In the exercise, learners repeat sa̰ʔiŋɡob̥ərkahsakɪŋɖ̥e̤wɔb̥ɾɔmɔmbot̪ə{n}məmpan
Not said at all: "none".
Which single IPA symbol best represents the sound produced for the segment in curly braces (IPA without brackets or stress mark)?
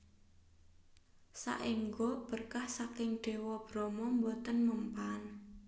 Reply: n